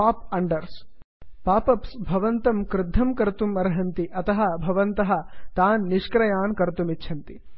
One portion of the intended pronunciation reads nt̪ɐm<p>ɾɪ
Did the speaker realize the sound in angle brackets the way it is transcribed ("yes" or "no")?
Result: no